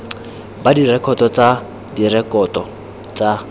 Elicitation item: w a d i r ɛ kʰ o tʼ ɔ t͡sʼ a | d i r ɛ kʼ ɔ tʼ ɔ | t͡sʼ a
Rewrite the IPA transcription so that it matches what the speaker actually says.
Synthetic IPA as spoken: b a d i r ɛ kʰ ɔ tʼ ɔ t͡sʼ a | d i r ɛ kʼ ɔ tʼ ɔ | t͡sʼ a